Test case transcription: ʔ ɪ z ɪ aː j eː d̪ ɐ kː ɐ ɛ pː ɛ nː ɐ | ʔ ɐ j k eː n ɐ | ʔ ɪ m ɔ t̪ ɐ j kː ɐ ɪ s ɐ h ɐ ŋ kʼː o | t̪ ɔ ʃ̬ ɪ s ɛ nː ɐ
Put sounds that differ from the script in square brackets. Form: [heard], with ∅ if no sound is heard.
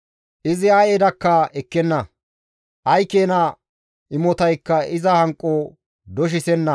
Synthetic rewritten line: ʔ ɪ z ɪ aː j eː d̪ ɐ kː ɐ ɛ [kː] ɛ nː ɐ | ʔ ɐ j k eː n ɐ | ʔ ɪ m ɔ t̪ ɐ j kː ɐ ɪ [z] ɐ h ɐ ŋ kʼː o | [d̪] ɔ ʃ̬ ɪ s ɛ nː ɐ